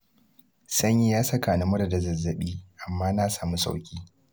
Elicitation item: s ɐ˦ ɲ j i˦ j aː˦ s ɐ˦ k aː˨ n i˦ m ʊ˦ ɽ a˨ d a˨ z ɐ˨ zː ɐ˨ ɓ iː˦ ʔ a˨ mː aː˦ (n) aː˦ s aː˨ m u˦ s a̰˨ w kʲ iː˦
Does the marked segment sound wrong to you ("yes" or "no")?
no